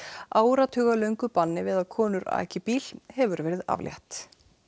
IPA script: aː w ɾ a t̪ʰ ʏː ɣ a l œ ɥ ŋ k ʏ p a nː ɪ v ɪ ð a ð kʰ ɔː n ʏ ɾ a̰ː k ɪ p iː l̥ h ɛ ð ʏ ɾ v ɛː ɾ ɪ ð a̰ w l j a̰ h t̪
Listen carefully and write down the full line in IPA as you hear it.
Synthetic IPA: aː w ɾ a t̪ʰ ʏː ɣ a l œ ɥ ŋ k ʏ p a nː ɪ v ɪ ð a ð kʰ ɔː n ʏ ɾ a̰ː c ɪ p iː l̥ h ɛ v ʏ ɾ v ɛː ɾ ɪ ð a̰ v l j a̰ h t̪